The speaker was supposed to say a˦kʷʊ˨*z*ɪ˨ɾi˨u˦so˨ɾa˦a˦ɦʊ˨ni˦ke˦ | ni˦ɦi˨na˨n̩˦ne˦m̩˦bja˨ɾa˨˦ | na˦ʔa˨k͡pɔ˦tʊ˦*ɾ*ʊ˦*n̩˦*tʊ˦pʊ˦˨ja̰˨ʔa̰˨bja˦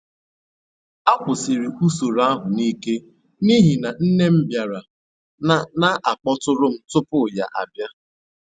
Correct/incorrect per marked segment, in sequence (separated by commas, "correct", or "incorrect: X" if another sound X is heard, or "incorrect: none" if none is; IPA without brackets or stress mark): incorrect: s, correct, incorrect: m̩˦